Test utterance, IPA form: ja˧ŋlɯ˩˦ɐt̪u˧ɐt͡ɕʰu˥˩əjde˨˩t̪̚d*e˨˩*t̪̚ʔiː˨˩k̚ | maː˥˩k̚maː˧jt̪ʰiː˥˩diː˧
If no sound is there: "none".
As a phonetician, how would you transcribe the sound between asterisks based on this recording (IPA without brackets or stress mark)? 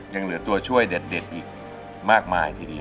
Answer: e˨˩